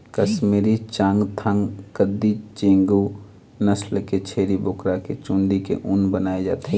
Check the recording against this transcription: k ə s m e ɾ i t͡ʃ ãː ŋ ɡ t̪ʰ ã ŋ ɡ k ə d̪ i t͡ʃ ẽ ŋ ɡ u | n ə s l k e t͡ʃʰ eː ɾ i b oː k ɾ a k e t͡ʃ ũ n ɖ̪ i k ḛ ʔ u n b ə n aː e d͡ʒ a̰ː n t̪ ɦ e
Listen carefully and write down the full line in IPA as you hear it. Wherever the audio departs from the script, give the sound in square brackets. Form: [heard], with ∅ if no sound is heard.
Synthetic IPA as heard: k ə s m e ɾ i t͡ʃ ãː ŋ ɡ t̪ʰ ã ŋ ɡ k ə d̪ i t͡ʃ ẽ ŋ ɡ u | n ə s l k e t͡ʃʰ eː ɾ i b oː k ɾ a k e t͡ʃ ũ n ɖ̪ i k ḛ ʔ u n b ə n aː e d͡ʒ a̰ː [∅] t̪ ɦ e